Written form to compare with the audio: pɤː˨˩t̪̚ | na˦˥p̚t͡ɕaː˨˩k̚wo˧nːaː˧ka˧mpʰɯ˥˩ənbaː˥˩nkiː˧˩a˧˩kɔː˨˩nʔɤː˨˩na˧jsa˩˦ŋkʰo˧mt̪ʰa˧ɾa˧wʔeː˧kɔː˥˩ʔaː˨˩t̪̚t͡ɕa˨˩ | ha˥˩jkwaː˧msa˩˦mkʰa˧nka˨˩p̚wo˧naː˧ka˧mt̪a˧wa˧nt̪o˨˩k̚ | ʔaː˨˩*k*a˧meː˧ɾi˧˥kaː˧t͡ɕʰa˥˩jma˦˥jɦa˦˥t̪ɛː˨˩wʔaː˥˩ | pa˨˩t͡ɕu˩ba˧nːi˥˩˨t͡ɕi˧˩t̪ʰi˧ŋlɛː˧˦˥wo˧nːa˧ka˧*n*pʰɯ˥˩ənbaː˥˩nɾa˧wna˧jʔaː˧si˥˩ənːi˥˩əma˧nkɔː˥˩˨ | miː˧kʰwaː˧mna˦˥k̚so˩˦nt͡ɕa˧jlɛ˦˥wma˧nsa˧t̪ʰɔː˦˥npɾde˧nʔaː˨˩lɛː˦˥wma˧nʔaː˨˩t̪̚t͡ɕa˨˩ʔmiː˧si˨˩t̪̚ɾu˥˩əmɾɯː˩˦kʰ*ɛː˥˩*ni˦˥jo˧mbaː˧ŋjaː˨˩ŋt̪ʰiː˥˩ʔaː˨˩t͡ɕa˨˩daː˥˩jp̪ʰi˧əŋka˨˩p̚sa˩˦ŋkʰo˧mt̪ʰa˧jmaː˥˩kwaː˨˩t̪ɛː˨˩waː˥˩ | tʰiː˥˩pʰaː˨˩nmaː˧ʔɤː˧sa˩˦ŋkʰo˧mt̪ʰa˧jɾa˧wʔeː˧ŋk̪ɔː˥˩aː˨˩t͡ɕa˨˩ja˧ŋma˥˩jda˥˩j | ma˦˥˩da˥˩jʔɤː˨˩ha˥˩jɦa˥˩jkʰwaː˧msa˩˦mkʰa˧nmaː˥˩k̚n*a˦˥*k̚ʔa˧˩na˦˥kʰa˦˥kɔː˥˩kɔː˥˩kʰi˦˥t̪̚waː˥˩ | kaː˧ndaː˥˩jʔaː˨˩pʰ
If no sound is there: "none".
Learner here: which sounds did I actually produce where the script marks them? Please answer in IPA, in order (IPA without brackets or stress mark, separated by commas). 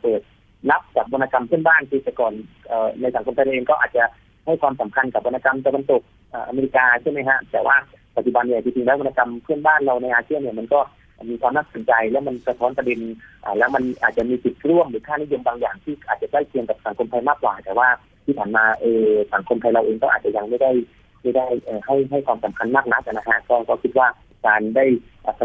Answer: ʔ, m, aː˥˩, a˦˥